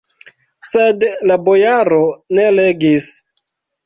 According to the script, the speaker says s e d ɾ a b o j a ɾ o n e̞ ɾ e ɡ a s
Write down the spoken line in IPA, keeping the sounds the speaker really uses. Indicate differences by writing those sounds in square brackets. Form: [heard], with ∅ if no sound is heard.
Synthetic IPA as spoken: s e d [l] a b o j a ɾ o n e̞ [l] e ɡ [i] s